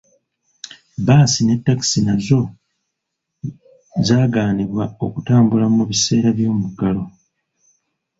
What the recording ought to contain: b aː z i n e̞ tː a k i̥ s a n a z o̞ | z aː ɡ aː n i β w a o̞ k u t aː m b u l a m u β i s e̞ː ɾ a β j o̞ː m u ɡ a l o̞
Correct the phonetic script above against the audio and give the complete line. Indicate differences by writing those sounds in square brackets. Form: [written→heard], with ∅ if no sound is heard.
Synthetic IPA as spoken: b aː [z→s] i n e̞ tː a k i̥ s [a→i] n a z o̞ | z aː ɡ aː n i β w a o̞ k u t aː m b u l a m u β i s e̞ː ɾ a β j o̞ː m u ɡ a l o̞

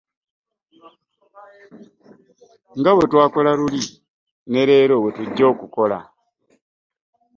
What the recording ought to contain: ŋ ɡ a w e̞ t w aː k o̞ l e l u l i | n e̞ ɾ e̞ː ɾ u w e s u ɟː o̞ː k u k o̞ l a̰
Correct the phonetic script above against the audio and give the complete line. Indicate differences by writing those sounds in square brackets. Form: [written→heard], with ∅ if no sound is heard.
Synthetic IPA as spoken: ŋ ɡ a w e̞ t w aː k o̞ l [e→a] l u l i | n e̞ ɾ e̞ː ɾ [u→o] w e [s→t] u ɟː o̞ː k u k o̞ l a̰

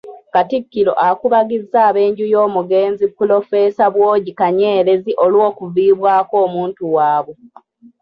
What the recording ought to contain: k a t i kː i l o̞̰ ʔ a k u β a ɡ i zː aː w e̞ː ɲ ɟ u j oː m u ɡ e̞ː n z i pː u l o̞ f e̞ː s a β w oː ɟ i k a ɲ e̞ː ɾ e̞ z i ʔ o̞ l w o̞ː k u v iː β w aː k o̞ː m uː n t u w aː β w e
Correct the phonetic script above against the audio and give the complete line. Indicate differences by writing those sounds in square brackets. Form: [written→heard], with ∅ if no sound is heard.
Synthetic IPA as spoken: k a t i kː i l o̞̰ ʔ a k u β a ɡ i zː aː [w→β] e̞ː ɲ ɟ u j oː m u ɡ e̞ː n z i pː u l o̞ f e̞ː s a β w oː ɟ i k a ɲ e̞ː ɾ e̞ z i ʔ o̞ l w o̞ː k u v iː β w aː k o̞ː m uː n t u w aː β w e

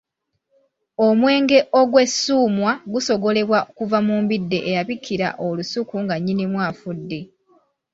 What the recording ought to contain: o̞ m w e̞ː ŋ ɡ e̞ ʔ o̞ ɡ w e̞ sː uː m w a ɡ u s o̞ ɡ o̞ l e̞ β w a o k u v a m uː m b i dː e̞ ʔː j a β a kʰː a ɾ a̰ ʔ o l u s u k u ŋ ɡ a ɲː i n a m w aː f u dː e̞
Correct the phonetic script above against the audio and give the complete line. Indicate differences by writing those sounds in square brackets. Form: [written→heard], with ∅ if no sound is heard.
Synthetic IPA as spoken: o̞ m w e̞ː ŋ ɡ e̞ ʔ o̞ ɡ w e̞ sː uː m w a ɡ u s o̞ ɡ o̞ l e̞ β w a o k u v a m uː m b i dː e̞ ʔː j a β [a→i] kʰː [a→i] ɾ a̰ ʔ o l u s u k u ŋ ɡ a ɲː i n [a→i] m w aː f u dː e̞

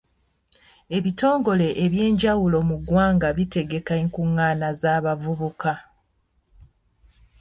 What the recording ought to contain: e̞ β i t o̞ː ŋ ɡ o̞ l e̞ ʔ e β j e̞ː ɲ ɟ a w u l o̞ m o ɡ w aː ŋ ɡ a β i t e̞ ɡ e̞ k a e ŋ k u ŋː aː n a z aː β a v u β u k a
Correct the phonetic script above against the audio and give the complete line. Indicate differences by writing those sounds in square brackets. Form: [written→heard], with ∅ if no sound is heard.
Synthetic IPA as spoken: e̞ β i t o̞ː ŋ ɡ o̞ l e̞ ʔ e β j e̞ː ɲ ɟ a w u l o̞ m [o→u] ɡ w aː ŋ ɡ a β i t e̞ ɡ e̞ k a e ŋ k u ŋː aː n a z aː β a v u β u k a

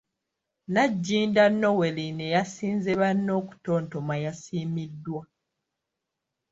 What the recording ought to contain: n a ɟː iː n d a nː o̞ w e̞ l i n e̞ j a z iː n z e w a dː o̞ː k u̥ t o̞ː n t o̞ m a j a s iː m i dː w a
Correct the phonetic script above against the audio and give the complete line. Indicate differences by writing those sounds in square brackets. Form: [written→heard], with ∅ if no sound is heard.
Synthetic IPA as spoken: n a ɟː iː n d a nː o̞ w e̞ l i n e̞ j a [z→s] iː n z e [w→β] a [dː→nː] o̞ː k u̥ t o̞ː n t o̞ m a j a s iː m i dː w a

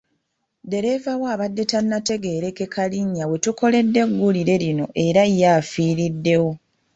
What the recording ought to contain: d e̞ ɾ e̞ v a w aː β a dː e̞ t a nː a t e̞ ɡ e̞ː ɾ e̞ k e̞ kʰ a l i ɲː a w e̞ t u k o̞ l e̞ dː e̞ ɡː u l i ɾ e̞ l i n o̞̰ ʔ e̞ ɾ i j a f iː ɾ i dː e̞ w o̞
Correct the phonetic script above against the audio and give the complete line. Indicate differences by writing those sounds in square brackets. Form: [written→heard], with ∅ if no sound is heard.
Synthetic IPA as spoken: d e̞ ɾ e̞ v a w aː β a dː e̞ t a nː a t e̞ ɡ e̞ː ɾ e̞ k e̞ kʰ a l i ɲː a w e̞ t u k o̞ l e̞ dː e̞ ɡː u l i ɾ e̞ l i n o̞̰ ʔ e̞ ɾ [i→a] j a f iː ɾ i dː e̞ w o̞

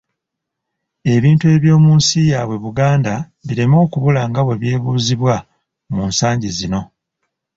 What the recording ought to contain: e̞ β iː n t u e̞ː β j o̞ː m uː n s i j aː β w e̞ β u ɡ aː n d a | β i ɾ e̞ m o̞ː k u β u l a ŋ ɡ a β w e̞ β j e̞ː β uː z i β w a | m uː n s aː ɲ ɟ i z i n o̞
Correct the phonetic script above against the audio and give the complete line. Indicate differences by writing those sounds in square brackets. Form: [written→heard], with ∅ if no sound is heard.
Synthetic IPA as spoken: e̞ β iː n t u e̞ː β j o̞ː m uː n s i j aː β w e̞ β u ɡ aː n d a | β i ɾ e̞ m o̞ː k u β u l a ŋ ɡ a β w e̞ β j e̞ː β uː z i β w a | m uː n s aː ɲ ɟ i z i n o̞

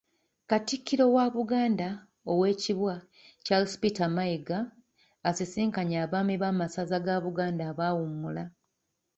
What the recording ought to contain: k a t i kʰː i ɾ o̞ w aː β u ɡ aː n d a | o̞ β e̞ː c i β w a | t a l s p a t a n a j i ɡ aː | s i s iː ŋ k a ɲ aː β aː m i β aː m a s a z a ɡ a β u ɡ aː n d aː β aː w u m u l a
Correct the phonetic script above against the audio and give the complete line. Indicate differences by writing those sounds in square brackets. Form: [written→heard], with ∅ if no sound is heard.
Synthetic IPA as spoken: k a t i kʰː i ɾ o̞ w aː β u ɡ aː n d a | o̞ [β→w] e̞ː c i β w a | [t→c] a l s p [a→i] t a [n→m] a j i ɡ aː | s i s iː ŋ k a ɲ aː β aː m i β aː m a s a z a ɡ a β u ɡ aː n d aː β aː w u m u l a

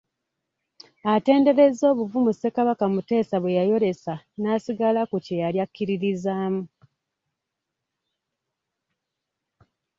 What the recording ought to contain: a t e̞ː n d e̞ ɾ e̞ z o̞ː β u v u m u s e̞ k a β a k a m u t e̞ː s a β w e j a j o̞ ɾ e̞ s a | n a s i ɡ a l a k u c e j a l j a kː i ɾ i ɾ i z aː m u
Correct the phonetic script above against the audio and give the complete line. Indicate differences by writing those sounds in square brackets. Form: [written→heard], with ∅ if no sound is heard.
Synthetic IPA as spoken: a t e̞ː n d e̞ ɾ e̞ z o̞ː β u v u m u s e̞ k a β a k a m u t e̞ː s a β w e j a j o̞ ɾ e̞ s a | n a s i ɡ a l a k u c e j a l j a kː i ɾ i ɾ i z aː m u

